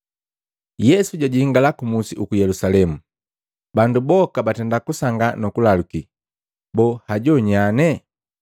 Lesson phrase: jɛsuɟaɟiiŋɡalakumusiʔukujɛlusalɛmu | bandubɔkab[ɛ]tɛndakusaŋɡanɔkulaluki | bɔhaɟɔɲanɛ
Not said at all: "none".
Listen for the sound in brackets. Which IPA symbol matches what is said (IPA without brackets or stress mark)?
a